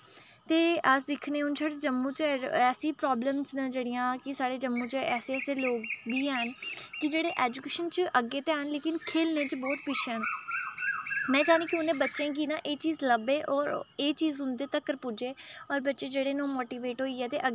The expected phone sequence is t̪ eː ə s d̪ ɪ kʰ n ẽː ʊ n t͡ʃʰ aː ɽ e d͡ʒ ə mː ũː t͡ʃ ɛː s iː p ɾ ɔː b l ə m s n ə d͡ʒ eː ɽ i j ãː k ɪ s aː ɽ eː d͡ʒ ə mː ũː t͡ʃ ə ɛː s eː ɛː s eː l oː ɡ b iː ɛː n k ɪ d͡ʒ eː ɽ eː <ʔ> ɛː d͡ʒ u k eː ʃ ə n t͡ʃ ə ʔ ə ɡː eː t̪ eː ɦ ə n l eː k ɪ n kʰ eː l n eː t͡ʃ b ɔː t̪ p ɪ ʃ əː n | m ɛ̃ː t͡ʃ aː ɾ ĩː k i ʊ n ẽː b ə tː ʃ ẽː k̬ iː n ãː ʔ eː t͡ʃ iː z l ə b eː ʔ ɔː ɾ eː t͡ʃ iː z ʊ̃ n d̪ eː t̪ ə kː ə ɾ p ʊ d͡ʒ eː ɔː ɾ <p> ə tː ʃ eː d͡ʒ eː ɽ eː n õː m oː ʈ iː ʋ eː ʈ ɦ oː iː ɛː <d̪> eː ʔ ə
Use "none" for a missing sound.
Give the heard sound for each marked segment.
ʔ, b, t̪

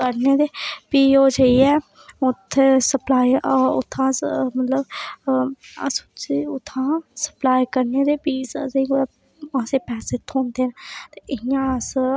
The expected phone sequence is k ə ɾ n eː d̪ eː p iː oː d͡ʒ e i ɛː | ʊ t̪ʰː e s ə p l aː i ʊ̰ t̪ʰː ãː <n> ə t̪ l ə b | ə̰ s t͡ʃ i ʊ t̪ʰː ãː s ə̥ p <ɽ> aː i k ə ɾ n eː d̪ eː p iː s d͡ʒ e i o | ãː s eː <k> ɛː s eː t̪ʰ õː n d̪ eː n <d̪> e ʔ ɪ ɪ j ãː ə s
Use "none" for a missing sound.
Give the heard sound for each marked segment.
m, l, p, t̪

